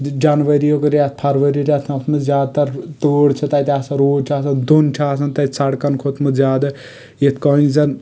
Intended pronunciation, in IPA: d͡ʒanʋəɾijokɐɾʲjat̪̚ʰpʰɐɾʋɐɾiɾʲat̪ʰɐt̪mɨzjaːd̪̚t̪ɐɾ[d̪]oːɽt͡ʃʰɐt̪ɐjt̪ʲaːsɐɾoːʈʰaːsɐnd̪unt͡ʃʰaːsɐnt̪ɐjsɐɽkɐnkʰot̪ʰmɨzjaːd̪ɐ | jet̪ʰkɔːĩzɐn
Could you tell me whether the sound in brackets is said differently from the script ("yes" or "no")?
yes